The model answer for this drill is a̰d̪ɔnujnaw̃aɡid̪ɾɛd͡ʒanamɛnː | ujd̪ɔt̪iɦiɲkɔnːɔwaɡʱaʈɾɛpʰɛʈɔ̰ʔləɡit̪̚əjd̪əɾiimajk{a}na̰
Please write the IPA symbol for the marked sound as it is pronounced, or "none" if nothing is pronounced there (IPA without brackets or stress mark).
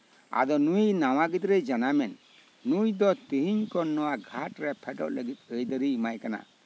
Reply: a